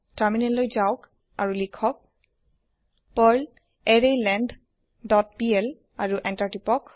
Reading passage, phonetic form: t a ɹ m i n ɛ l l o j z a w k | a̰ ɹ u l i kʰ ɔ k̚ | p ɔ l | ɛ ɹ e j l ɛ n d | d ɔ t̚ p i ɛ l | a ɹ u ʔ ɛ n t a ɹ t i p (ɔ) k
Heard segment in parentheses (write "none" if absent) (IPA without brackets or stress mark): ɔ